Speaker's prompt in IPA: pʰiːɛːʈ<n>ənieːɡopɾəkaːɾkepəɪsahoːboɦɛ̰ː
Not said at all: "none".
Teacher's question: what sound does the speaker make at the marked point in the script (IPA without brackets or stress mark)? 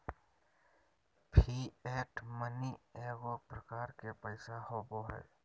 m